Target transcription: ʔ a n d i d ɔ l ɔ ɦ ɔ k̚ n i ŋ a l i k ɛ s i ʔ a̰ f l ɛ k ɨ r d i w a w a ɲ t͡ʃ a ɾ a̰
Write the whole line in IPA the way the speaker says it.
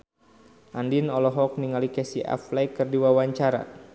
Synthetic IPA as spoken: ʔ a n d i n ɔ l ɔ ɦ ɔ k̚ n i ŋ a l i k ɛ s i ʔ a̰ f l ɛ k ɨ r d i w a w a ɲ t͡ʃ a ɾ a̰